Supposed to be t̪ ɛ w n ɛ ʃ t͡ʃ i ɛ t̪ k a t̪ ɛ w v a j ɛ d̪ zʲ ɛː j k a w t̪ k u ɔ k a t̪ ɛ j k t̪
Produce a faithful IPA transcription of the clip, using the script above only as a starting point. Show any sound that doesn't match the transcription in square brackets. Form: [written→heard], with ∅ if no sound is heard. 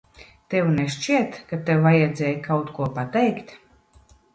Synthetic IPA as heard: t̪ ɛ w n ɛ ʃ t͡ʃ i ɛ t̪ k a t̪ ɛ w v a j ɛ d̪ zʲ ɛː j k a w t̪ k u ɔ [k→p] a t̪ ɛ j k t̪

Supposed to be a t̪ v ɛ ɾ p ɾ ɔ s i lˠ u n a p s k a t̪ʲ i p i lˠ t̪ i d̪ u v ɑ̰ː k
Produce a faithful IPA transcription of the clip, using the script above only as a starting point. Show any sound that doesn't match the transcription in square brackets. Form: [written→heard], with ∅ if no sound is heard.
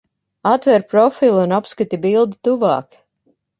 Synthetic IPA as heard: a t̪ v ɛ ɾ p ɾ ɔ [s→f] i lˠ u n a p s k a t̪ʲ i [p→b] i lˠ [t̪→d̪] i [d̪→t̪] u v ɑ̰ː k

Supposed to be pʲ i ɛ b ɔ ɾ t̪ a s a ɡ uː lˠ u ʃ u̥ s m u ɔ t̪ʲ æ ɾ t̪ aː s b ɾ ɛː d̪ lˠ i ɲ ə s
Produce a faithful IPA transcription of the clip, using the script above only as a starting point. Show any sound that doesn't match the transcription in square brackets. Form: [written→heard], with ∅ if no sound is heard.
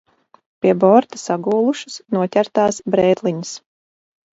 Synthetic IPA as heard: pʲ i ɛ b ɔ ɾ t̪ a s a ɡ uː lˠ u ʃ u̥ s [m→n] u ɔ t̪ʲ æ ɾ t̪ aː s b ɾ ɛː d̪ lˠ i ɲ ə s

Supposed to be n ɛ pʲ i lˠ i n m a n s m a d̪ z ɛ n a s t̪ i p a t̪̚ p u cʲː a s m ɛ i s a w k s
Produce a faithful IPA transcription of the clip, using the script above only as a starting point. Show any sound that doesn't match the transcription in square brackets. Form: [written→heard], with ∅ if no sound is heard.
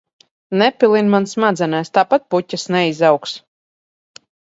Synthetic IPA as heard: n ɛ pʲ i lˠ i n m a n s m a d̪ z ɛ n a s t̪ [i→a] p a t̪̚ p u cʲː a s [m→n] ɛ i [s→z] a w k s

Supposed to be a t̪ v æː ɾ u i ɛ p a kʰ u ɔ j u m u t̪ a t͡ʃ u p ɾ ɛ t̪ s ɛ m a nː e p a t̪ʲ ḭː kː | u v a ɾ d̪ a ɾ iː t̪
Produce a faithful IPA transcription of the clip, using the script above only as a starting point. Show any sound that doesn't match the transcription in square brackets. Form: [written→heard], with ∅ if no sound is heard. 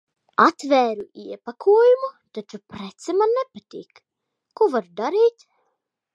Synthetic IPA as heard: a t̪ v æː ɾ u i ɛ p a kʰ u ɔ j u m u t̪ a t͡ʃ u p ɾ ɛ t̪ s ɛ m a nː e p a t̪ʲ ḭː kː | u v a ɾ d̪ a ɾ iː t̪

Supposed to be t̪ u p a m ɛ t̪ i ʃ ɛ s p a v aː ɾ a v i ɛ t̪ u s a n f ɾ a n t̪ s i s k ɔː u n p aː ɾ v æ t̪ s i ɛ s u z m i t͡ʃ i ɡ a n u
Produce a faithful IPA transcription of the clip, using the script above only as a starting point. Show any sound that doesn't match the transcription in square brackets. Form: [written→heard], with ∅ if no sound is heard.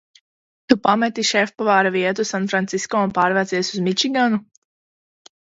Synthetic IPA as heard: t̪ u p a m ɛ t̪ i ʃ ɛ [s→f] p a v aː ɾ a v i ɛ t̪ u s a n f ɾ a n t̪ s i s k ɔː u n p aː ɾ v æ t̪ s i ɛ s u z m i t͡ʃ i ɡ a n u

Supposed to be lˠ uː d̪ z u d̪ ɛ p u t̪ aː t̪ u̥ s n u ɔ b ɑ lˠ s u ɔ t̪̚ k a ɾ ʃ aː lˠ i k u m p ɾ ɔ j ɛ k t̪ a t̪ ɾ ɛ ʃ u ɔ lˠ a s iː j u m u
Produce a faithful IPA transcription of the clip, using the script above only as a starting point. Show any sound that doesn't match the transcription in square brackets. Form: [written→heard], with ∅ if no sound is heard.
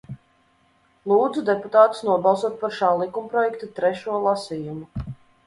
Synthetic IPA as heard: lˠ uː d̪ z u d̪ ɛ p u t̪ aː t̪ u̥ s n u ɔ b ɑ lˠ s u ɔ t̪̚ [k→p] a ɾ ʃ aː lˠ i k u m p ɾ ɔ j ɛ k t̪ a t̪ ɾ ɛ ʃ u ɔ lˠ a s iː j u m u

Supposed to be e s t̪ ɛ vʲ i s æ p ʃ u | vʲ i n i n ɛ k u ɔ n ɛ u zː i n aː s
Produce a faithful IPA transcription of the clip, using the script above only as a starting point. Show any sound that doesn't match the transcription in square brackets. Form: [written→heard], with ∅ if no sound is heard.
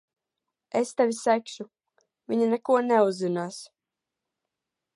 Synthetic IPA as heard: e s t̪ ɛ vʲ i s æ [p→k] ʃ u | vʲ i [n→ɲ] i n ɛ k u ɔ n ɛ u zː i n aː s

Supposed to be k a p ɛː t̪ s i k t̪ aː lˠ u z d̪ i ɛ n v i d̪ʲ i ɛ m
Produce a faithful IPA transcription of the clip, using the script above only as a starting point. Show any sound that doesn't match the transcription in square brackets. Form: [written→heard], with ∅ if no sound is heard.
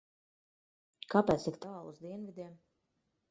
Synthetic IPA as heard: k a p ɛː t̪ s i k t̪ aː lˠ u z d̪ i ɛ n v i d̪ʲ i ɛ m

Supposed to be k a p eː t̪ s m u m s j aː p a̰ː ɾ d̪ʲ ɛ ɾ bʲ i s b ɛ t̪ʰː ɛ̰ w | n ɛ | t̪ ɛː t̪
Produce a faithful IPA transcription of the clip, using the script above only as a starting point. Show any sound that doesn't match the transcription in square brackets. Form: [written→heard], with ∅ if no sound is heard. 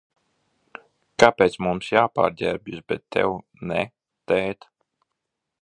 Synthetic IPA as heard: k a p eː t̪ s m u m s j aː p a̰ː ɾ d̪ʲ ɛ ɾ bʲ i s b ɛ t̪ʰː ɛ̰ w | n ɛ | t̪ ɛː t̪

